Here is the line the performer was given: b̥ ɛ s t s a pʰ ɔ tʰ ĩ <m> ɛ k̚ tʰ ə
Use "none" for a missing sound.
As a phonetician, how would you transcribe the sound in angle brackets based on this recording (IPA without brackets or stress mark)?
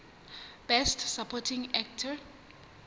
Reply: ŋ